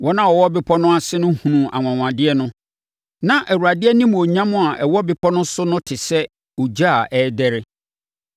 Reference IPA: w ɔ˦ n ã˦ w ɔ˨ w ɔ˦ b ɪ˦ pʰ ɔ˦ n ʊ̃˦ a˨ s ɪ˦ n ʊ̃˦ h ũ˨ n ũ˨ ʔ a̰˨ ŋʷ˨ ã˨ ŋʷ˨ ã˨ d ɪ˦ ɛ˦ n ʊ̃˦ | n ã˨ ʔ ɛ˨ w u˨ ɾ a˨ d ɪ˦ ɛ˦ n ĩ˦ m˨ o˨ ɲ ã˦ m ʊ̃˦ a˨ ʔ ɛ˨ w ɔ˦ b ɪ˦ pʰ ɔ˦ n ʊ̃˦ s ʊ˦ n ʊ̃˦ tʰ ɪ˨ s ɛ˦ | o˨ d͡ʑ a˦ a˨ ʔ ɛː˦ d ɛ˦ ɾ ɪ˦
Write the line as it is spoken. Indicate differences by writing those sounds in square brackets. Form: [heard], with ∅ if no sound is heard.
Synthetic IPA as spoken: w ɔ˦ n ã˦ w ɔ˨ w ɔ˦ b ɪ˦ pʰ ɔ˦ n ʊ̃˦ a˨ s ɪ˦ n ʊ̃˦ h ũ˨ n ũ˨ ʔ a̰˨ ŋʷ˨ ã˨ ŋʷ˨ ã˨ d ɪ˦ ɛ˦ n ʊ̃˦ | n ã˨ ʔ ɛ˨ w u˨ ɾ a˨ d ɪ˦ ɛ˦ n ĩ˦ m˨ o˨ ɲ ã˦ m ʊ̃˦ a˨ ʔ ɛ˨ w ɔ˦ b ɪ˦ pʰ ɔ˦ n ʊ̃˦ s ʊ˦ n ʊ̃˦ tʰ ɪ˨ s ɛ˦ | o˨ d͡ʑ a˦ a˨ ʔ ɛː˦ d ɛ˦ ɾ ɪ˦